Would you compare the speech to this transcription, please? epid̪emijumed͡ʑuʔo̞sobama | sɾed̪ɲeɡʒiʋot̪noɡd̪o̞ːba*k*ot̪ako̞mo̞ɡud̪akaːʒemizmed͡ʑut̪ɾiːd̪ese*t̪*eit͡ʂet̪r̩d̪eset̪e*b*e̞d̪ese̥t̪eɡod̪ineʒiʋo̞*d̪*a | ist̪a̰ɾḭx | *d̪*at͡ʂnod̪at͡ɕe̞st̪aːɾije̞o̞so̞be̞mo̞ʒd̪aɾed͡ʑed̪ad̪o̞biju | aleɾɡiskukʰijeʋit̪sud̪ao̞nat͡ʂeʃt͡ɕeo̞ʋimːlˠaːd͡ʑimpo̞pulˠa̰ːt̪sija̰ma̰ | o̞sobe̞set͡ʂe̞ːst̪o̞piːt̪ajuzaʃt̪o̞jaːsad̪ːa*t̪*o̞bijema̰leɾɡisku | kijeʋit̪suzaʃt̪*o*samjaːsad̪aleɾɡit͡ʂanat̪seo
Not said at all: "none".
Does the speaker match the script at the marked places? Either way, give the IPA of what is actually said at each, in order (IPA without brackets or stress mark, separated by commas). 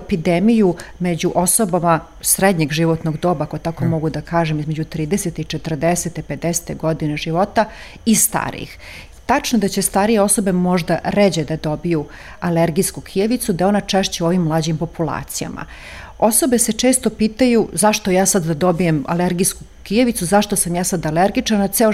k, t̪, p, t̪, t̪, d̪, o